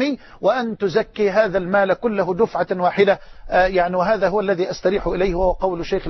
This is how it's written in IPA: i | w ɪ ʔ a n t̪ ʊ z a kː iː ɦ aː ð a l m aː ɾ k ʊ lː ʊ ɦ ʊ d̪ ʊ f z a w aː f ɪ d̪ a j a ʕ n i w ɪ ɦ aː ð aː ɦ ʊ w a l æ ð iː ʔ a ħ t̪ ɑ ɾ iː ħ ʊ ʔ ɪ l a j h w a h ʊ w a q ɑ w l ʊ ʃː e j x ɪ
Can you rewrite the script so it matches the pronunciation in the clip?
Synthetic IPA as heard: i | w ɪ ʔ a n t̪ ʊ z a kː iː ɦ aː ð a l m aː l k ʊ lː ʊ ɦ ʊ d̪ ʊ f ʕ a w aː ħ ɪ d̪ a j a ʕ n i w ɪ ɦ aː ð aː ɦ ʊ w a lː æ ð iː ʔ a s t̪ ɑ ɾ iː ħ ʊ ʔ ɪ l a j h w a h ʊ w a q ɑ w l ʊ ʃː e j x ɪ

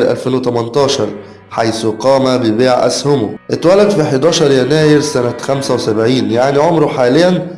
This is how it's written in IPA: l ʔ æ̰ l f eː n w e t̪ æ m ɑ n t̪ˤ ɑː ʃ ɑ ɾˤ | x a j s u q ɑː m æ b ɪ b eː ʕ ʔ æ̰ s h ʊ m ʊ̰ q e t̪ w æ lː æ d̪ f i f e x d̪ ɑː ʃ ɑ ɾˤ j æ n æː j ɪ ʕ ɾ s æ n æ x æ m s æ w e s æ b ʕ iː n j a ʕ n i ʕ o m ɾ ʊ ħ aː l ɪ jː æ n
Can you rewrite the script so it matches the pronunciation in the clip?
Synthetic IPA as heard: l ʔ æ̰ l f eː n w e t̪ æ m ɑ n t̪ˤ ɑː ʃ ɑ ɾˤ | ħ a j s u q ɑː m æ b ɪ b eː ʕ ʔ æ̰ s h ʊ m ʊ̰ ʔ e t̪ w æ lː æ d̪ f i ħ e d̪ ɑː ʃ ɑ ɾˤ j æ n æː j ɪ ɾ s æ n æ x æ m s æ w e s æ b ʕ iː n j a ʕ n i ʕ o m ɾ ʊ ħ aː l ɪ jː æ n

